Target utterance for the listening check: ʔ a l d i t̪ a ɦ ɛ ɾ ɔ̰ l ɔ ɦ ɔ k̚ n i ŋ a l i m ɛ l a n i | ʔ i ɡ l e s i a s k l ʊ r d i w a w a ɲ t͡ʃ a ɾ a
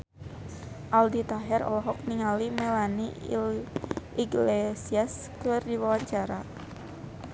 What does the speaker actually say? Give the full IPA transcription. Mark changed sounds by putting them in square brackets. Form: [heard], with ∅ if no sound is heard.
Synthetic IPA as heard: ʔ a l d i t̪ a ɦ ɛ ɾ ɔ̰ l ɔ ɦ ɔ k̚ n i ŋ a l i m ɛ l a n i | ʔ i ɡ l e s i a s k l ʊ r d i w a w a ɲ t͡ʃ a ɾ a

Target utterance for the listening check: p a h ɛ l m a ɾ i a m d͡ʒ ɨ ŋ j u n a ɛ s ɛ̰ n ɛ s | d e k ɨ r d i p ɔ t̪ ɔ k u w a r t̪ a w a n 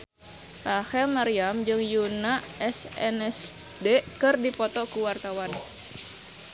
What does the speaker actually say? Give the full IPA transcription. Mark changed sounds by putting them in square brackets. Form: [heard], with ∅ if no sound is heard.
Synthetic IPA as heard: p a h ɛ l m a ɾ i a m d͡ʒ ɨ ŋ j u n a ɛ s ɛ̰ n ɛ s | d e k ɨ r d i p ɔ t̪ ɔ k u w a r t̪ a w a n

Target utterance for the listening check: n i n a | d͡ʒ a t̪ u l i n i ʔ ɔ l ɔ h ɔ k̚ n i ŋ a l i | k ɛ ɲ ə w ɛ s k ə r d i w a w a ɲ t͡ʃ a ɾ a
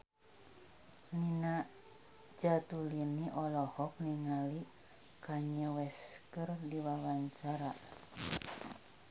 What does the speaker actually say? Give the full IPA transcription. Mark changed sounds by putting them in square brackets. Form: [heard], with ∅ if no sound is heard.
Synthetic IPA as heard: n i n a | d͡ʒ a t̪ u l i n i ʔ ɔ l ɔ h ɔ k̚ n i ŋ a l i | k [a] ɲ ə w ɛ s k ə r d i w a w a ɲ t͡ʃ a ɾ a

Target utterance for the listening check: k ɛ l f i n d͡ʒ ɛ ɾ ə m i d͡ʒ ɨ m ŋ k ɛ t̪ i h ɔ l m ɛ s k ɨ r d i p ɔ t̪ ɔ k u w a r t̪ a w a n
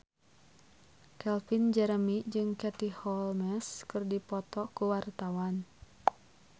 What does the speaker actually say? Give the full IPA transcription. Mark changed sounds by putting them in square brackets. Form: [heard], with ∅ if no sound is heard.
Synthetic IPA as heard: k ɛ l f i n d͡ʒ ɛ ɾ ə m i d͡ʒ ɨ [∅] ŋ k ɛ t̪ i h ɔ l m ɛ s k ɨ r d i p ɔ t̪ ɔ k u w a r t̪ a w a n

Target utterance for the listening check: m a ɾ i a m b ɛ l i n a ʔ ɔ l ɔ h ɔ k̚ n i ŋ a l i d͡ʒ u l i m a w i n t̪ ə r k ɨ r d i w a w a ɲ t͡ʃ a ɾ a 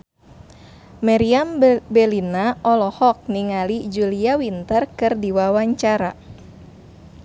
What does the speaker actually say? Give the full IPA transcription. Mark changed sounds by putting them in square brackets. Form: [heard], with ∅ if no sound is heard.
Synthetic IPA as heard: m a ɾ i a m b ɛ l i n a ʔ ɔ l ɔ h ɔ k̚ n i ŋ a l i d͡ʒ u l i [∅] a w i n t̪ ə r k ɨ r d i w a w a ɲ t͡ʃ a ɾ a

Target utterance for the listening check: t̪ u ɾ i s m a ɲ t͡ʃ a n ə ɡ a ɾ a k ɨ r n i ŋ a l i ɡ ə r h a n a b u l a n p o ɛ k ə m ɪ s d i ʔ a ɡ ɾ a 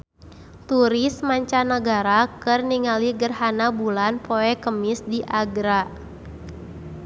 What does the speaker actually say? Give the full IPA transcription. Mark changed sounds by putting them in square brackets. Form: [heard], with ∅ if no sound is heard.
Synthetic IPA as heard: t̪ u ɾ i s m a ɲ t͡ʃ a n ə ɡ a ɾ a k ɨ r n i ŋ a l i ɡ ə r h a n a b u l a n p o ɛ k ə m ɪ s d i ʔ a ɡ ɾ a

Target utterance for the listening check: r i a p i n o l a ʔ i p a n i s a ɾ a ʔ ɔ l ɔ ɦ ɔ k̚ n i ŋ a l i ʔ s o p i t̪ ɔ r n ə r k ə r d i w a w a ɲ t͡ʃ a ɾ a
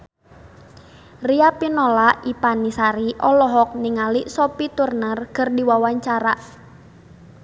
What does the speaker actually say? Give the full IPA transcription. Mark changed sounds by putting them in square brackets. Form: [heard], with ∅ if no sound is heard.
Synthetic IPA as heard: r i a p i n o l a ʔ i p a n i s a ɾ [i] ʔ ɔ l ɔ ɦ ɔ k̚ n i ŋ a l i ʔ s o p i t̪ [u] r n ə r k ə r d i w a w a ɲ t͡ʃ a ɾ a

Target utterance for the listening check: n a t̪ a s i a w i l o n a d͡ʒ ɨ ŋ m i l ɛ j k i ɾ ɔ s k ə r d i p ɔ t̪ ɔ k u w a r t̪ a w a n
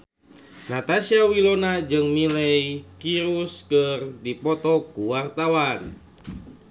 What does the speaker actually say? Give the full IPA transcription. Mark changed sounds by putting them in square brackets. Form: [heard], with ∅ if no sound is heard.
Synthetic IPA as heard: n a t̪ a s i a w i l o n a d͡ʒ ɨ ŋ m i l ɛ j k i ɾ [u] s k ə r d i p ɔ t̪ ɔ k u w a r t̪ a w a n

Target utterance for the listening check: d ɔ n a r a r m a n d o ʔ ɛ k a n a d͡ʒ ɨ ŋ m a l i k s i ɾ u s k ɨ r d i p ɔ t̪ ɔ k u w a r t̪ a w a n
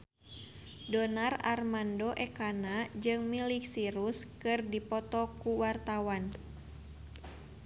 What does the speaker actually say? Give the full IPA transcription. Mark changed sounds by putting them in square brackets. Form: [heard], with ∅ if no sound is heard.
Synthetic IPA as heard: d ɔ n a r a r m a n d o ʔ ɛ k a n a d͡ʒ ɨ ŋ m [i] l i k s i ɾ u s k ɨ r d i p ɔ t̪ ɔ k u w a r t̪ a w a n

